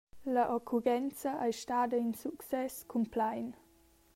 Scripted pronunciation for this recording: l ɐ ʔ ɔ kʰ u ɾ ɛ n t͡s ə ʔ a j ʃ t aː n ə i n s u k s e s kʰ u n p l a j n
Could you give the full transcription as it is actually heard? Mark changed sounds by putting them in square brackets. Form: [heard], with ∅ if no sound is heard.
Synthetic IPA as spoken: l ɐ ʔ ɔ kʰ u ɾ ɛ n t͡s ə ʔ a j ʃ t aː [d] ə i n s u k s [ɛ] s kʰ u [m] p l a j n